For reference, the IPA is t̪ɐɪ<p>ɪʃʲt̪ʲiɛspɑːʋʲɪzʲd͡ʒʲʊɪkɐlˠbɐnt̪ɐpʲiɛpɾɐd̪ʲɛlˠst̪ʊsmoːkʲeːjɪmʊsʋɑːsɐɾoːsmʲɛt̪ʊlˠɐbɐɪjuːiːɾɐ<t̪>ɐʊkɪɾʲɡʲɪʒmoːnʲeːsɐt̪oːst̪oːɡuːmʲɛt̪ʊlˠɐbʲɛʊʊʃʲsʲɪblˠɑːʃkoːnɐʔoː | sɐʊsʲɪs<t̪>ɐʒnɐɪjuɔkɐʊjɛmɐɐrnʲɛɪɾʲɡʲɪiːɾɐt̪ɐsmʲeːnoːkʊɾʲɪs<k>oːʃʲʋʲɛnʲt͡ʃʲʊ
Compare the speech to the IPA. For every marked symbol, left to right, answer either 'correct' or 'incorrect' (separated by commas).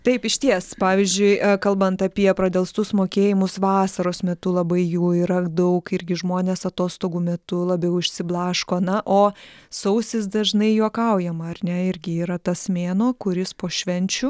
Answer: correct, incorrect, incorrect, incorrect